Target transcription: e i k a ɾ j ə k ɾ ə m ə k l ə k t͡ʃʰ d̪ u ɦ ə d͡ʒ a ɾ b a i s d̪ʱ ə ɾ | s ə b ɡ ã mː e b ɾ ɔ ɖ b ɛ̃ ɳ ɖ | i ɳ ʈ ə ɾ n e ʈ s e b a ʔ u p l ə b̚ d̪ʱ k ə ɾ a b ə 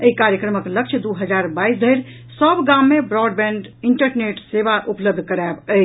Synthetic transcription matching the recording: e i k a ɾ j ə k ɾ ə m ə k l ə k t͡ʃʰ d̪ u ɦ ə d͡ʒ a ɾ b a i s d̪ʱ ə ɾ | s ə b ɡ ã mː e b ɾ ɔ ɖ b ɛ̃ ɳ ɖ | i ɳ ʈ ə ɾ n e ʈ s e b a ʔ u p l ə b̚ d̪ʱ k ə ɾ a b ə